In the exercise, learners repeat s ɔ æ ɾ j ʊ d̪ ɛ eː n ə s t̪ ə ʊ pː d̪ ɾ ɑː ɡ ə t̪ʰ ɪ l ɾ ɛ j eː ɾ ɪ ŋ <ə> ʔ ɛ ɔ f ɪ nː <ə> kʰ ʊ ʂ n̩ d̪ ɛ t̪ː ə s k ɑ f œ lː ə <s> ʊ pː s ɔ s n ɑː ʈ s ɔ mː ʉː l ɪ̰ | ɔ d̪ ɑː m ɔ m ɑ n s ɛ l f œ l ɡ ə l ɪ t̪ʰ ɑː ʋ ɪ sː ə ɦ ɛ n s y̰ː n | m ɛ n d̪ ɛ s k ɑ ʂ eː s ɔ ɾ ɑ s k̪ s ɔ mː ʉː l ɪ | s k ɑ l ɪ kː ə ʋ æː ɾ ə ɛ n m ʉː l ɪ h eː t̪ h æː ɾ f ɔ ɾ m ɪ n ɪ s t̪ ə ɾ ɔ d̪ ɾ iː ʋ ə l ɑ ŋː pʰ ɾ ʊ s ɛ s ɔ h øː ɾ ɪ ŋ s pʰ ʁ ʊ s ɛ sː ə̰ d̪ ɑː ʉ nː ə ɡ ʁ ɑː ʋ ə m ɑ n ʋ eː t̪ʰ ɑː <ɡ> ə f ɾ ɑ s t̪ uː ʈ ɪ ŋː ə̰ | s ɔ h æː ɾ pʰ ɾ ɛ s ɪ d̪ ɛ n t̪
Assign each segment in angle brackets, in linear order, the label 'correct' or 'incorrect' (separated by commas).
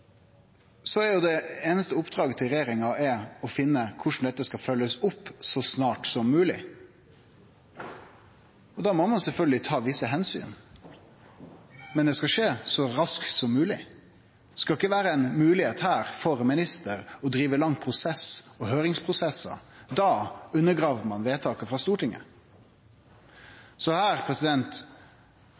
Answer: incorrect, correct, correct, incorrect